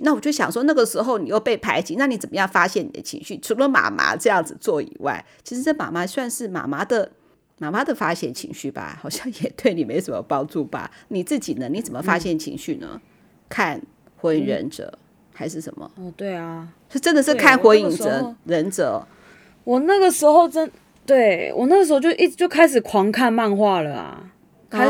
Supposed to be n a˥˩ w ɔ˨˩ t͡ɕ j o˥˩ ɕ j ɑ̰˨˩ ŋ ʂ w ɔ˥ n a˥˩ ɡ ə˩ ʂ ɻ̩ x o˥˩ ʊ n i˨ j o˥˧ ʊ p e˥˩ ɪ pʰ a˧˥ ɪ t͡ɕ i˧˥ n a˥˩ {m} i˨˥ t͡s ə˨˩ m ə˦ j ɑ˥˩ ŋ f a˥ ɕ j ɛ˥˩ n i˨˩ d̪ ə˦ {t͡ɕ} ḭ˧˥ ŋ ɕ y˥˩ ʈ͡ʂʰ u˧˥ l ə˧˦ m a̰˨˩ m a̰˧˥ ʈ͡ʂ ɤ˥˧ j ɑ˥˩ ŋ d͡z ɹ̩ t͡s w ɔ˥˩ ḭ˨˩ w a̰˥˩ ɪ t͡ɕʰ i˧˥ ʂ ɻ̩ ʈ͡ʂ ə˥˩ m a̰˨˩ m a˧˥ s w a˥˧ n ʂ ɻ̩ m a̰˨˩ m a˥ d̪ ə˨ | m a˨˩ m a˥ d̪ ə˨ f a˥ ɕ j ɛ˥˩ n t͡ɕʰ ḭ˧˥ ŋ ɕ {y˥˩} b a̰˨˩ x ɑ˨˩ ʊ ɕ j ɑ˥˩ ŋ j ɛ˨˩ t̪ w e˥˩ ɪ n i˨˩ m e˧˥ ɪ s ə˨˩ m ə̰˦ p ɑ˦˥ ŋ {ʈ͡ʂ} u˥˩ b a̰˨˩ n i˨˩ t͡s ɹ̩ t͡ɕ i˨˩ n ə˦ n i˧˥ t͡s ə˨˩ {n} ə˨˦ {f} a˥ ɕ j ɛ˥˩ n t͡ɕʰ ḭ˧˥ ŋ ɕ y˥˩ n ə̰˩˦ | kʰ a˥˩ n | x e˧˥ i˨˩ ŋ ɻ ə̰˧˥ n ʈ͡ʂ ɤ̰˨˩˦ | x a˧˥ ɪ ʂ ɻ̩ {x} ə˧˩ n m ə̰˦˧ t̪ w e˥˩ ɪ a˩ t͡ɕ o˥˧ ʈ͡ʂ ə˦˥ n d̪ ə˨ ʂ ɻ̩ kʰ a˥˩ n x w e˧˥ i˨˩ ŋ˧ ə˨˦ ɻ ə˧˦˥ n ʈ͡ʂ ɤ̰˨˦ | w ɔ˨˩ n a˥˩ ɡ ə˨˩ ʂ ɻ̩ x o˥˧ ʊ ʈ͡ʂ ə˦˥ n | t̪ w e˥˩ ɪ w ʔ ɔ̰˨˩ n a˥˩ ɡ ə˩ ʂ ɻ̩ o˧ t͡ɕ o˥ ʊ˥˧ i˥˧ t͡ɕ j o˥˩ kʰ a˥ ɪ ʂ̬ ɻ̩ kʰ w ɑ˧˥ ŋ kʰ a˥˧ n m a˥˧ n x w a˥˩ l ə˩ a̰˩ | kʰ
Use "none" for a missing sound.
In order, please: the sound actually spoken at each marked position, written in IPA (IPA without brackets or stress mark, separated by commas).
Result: n, t͡ɕʰ, y˥˩, ʈ͡ʂ, m, f, ʂ